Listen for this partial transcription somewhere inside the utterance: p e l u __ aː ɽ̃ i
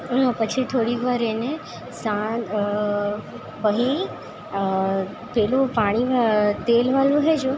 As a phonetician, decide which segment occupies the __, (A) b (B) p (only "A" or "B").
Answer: B